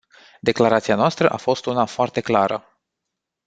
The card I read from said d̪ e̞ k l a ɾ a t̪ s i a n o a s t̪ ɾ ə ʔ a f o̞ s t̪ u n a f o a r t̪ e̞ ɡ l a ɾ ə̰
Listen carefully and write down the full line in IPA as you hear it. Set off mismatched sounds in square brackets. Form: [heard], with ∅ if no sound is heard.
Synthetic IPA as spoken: d̪ e̞ k l a ɾ a t̪ s i a n o a s t̪ ɾ ə ʔ a f o̞ s t̪ u n a f o a r t̪ e̞ [k] l a ɾ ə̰